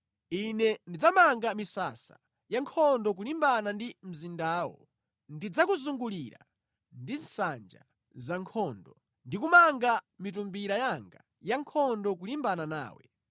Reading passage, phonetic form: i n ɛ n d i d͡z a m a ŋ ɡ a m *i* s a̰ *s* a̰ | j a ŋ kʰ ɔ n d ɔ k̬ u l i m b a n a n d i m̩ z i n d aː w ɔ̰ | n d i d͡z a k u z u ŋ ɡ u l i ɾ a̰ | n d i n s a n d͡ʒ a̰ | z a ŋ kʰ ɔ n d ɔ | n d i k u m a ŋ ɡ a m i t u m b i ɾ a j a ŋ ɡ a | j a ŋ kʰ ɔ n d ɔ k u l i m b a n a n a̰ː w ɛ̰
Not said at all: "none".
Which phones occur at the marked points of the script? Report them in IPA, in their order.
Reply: i, s

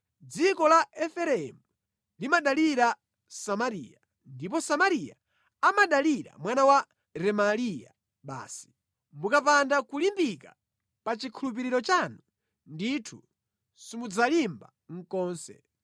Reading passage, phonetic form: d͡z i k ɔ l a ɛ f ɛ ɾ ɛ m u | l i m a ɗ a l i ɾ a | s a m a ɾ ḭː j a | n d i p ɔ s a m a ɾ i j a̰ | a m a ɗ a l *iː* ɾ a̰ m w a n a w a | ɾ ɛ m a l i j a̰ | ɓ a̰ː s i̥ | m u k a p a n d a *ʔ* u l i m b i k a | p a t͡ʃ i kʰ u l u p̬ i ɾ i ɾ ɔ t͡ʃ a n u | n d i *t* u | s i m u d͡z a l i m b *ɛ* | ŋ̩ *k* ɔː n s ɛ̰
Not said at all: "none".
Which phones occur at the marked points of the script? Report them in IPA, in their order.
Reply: i, k, tʰ, a, k

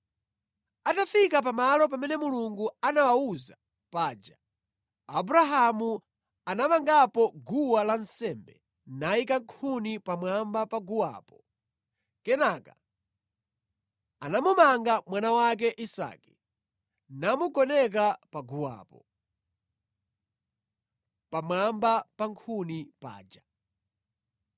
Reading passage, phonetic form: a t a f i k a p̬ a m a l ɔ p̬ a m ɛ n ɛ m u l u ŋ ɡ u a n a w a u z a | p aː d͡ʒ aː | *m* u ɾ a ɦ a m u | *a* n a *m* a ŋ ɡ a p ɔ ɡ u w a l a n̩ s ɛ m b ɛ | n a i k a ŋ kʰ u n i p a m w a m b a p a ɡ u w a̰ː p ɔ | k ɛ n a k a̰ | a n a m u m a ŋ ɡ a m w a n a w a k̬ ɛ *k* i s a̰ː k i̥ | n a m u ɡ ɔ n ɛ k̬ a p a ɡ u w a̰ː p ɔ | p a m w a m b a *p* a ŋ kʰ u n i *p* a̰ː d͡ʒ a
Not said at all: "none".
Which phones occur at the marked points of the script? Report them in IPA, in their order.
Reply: b, a, m, ʔ, p, p

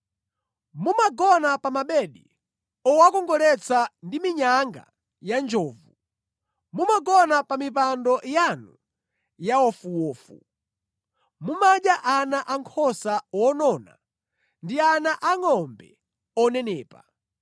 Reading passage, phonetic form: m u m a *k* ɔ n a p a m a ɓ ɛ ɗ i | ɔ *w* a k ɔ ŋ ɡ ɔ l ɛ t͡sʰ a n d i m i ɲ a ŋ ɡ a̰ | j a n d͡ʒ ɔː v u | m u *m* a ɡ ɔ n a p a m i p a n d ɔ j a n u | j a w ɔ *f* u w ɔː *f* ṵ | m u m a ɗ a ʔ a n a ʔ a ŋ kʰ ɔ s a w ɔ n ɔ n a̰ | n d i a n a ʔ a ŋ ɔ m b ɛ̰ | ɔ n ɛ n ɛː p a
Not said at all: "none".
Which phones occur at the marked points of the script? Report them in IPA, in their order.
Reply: ɡ, w, m, f, f

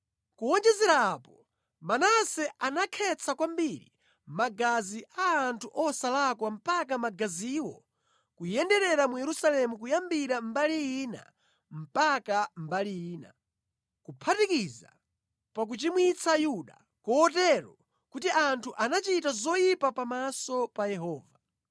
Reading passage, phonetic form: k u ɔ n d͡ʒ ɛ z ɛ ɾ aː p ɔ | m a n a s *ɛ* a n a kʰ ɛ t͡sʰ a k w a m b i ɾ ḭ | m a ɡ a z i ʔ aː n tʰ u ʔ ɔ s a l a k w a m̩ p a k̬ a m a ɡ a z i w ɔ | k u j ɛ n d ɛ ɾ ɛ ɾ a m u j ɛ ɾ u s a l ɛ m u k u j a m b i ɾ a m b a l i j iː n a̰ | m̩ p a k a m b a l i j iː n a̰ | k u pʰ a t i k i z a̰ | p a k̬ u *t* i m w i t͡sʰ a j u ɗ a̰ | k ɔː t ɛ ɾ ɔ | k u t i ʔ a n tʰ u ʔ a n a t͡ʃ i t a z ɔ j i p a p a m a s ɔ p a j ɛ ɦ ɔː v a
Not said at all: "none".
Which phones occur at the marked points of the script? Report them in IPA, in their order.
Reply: ɛ, t͡ʃ

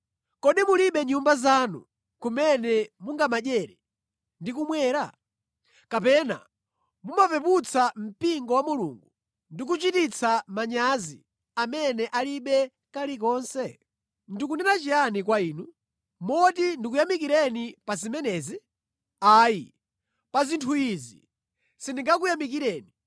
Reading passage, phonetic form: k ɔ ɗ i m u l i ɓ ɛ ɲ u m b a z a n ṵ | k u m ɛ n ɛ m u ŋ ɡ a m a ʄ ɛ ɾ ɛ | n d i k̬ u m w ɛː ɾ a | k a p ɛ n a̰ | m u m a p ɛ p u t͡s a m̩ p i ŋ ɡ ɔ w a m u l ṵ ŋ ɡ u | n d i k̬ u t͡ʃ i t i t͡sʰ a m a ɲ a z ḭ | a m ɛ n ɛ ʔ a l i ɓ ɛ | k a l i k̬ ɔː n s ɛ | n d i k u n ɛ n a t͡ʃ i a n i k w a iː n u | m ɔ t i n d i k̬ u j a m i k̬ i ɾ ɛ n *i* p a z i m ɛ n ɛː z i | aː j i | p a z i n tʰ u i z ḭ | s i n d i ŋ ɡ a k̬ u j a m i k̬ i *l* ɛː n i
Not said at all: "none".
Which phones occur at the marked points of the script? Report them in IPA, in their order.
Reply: i, ɾ

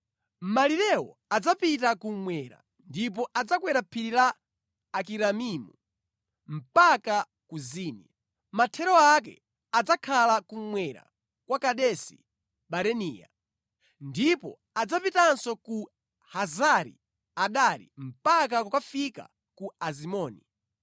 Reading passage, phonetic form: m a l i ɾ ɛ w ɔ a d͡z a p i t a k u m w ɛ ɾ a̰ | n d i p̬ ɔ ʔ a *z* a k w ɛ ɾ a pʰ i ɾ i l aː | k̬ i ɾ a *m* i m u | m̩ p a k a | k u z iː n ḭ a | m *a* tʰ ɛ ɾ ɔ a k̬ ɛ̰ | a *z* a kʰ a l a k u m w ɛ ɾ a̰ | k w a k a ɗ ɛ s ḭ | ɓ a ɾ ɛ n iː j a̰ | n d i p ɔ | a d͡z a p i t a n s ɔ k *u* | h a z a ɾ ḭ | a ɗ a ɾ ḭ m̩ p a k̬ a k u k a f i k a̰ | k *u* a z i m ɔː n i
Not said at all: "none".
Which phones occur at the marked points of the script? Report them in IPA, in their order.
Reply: d͡z, m, a, d͡z, u, u

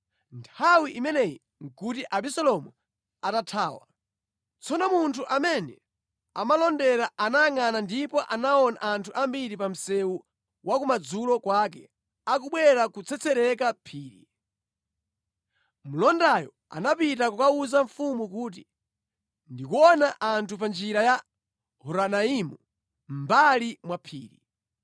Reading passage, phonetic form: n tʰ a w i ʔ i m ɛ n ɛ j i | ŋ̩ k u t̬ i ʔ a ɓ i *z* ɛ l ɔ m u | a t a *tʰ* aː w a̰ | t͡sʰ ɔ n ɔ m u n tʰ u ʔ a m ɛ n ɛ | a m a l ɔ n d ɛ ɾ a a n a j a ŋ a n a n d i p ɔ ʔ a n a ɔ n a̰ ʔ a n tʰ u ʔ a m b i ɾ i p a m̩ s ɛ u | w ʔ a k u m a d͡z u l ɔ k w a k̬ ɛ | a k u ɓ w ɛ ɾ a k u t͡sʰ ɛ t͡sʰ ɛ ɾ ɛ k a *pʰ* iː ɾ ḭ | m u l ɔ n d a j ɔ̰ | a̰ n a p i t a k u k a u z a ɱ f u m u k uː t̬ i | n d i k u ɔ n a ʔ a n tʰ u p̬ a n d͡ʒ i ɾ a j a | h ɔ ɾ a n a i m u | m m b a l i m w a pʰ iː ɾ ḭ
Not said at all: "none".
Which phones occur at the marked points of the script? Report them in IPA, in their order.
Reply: s, tʰ, pʰ

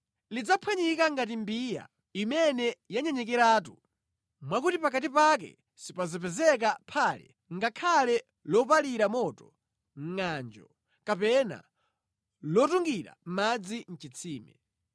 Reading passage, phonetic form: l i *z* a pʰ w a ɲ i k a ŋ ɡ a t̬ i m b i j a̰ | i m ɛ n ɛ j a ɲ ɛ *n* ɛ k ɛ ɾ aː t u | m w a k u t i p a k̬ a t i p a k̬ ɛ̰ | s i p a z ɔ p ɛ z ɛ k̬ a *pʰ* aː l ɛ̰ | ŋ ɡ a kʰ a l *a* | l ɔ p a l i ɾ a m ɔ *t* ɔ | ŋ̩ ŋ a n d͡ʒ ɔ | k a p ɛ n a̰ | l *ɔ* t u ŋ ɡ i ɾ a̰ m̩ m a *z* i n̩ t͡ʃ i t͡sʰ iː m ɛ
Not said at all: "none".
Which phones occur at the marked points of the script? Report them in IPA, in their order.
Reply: d͡z, ɲ, pʰ, ɛ, t, ɔ, d͡z

